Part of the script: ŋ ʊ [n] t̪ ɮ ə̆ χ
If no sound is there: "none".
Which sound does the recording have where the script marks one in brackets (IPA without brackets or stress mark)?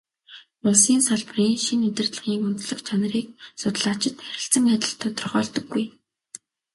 n